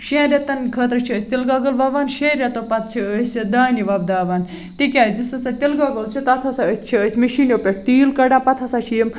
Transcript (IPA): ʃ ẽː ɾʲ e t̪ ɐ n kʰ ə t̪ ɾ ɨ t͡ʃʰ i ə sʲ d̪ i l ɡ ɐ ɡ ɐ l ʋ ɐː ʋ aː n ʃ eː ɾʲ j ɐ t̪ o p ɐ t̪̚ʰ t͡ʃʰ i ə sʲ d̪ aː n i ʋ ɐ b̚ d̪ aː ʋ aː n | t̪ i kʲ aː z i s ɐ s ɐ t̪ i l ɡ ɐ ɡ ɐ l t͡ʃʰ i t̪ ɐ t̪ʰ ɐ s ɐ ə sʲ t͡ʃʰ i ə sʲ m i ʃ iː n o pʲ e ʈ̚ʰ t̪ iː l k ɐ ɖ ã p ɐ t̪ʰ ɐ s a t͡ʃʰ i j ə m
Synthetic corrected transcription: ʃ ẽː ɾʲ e t̪ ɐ n kʰ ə t̪ ɾ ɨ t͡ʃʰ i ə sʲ t̪ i l ɡ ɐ ɡ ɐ l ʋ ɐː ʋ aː n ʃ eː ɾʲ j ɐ t̪ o p ɐ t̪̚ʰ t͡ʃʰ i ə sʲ d̪ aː n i ʋ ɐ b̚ d̪ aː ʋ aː n | t̪ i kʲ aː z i s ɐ s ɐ t̪ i l ɡ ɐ ɡ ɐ l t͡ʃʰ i t̪ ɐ t̪ʰ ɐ s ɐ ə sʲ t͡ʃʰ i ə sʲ m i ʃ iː n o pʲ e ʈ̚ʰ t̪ iː l k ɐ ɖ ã p ɐ t̪ʰ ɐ s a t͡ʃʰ i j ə m